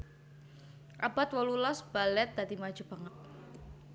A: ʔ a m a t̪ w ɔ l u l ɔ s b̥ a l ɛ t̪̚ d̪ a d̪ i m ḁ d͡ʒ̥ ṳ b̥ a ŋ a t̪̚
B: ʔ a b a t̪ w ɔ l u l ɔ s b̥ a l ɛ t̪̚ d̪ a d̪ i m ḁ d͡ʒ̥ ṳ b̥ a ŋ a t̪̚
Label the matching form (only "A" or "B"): B